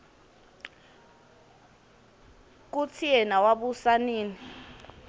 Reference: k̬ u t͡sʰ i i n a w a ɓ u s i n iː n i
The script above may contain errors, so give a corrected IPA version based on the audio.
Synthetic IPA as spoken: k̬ u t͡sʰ i ɛ n a w a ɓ u s a n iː n i